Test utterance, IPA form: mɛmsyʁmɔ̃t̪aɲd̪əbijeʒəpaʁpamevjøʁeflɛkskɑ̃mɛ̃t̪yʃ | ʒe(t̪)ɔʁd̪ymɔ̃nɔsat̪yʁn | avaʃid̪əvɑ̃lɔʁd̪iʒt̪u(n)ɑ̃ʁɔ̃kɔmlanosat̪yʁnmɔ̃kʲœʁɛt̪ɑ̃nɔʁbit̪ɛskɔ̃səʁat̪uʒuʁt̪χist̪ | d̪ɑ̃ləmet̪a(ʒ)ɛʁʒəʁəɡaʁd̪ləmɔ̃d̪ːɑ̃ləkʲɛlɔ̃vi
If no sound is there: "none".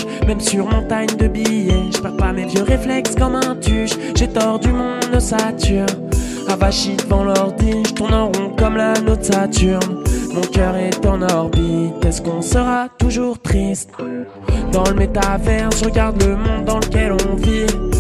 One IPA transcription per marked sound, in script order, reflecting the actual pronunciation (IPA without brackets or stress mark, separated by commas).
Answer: t̪, n, v